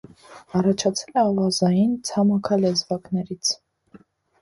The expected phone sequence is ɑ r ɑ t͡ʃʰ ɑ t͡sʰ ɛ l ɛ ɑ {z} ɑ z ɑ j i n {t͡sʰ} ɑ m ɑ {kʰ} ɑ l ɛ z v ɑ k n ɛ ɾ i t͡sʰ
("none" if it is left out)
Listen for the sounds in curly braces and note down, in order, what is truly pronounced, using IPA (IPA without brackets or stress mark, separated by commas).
v, t͡sʰ, kʰ